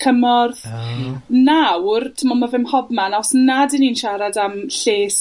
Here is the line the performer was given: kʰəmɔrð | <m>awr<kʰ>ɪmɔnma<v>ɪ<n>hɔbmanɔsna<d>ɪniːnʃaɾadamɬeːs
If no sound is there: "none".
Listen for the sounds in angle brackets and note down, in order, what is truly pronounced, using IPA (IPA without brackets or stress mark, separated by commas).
n, tʰ, v, m, d